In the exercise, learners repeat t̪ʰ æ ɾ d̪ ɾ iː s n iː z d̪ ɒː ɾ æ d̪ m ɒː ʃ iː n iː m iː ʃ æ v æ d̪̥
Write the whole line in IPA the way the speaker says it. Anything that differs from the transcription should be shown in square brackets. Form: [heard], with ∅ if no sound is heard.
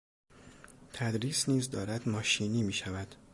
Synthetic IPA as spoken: t̪ʰ æ [∅] d̪ ɾ iː s n iː z d̪ ɒː ɾ æ d̪ m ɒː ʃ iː n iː m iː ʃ æ v æ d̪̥